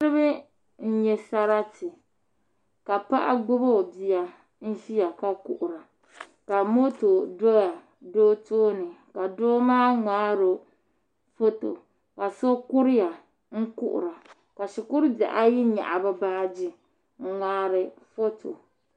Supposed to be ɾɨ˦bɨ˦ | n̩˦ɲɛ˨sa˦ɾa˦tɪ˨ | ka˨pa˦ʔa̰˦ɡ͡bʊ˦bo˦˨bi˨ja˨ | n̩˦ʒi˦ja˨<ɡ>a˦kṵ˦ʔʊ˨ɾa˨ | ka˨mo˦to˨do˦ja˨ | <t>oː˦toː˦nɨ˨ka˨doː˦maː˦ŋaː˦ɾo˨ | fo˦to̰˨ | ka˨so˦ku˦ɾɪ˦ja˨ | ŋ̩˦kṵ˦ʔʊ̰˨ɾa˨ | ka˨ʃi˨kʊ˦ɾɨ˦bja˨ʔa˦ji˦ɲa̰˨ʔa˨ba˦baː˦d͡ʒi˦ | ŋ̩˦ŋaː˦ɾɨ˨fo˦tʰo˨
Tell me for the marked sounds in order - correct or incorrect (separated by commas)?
incorrect, incorrect